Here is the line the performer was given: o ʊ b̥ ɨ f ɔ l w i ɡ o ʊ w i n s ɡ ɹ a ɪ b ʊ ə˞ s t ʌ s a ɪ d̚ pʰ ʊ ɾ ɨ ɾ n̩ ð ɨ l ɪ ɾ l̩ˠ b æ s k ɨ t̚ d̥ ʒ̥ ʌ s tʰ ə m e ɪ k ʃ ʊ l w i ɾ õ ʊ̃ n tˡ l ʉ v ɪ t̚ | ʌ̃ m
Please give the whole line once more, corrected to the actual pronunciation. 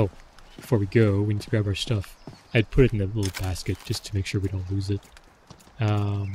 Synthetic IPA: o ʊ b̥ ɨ f ɔ ɹ w i ɡ o ʊ w i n s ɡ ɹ a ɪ b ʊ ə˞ s t ʌ f a ɪ d̚ pʰ ʊ ɾ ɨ ɾ n̩ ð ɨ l ɪ ɾ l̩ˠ b æ s k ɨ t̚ d̥ ʒ̥ ʌ s tʰ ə m e ɪ k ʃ ʊ ɹ w i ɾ õ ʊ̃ n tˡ l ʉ z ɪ t̚ | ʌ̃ m